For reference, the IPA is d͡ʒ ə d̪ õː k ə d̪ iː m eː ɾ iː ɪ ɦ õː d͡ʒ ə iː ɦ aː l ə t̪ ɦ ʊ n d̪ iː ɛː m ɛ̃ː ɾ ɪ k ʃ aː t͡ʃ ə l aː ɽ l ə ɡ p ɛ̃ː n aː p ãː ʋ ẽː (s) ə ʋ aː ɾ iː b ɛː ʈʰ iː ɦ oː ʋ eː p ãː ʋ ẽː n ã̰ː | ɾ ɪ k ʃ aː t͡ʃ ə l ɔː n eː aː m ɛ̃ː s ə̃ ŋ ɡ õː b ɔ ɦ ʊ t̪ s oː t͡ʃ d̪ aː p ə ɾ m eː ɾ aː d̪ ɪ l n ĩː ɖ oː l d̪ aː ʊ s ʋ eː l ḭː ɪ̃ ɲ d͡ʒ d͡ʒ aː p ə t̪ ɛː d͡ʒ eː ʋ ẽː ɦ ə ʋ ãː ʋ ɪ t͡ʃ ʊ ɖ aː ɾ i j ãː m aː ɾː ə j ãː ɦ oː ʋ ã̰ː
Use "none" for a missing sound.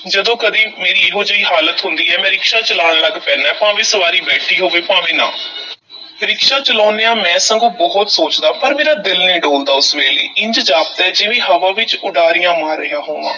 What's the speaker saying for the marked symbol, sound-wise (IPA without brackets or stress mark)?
s